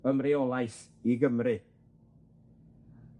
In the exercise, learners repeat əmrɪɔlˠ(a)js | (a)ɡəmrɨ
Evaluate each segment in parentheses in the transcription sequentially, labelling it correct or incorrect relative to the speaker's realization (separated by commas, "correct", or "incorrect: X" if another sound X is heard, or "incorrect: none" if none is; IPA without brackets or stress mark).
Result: correct, incorrect: i